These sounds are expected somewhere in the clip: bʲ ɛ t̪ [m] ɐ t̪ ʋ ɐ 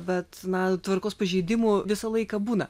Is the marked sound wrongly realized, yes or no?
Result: yes